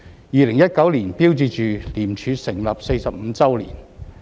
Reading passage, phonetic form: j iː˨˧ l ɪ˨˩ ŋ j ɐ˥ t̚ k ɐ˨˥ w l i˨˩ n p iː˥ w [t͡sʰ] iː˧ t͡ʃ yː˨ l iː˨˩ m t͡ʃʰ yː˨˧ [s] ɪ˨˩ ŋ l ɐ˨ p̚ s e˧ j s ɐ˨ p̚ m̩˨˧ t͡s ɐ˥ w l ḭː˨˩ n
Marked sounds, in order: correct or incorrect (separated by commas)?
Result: incorrect, correct